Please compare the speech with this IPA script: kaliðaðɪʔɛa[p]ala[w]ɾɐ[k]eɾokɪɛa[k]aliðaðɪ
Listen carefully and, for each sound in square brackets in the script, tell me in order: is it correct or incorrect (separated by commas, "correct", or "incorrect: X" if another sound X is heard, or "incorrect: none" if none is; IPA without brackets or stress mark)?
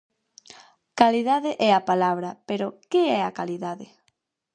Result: correct, incorrect: β, incorrect: p, correct